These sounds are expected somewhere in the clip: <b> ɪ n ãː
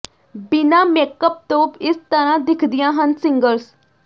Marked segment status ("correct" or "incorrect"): correct